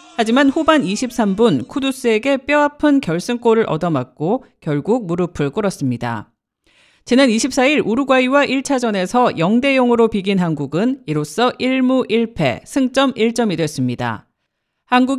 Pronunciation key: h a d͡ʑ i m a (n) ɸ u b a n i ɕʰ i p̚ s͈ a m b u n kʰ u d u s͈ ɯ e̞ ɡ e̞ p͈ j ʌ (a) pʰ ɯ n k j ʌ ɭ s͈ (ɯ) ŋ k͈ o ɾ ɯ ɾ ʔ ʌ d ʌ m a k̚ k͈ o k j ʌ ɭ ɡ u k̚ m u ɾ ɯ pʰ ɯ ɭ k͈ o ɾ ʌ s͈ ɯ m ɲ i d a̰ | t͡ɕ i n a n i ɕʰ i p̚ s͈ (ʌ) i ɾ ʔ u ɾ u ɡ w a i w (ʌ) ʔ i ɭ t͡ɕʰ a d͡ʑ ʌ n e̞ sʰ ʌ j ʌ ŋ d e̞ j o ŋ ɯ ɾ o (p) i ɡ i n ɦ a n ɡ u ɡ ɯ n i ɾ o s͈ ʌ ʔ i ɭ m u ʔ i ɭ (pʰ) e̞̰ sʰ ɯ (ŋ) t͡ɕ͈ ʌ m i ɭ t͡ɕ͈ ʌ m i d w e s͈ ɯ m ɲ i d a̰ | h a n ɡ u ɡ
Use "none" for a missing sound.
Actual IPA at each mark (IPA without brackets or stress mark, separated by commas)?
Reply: n, a, ɯ, a, a, p, pʰ, ŋ